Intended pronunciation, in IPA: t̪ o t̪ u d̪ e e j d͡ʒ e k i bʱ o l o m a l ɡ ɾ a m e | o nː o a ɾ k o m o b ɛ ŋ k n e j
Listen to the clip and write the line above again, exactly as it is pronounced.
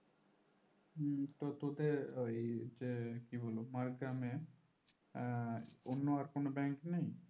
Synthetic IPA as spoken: t̪ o t̪ o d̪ e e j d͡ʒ e k i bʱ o l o m a ɾ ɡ ɾ a m e | o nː o a ɾ k o n o b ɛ ŋ k n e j